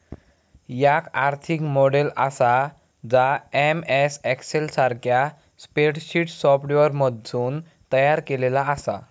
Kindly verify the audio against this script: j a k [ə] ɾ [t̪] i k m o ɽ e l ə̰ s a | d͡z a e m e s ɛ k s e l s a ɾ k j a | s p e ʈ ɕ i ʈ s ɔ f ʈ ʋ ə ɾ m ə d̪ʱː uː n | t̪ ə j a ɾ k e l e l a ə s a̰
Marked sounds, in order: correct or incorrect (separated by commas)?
incorrect, incorrect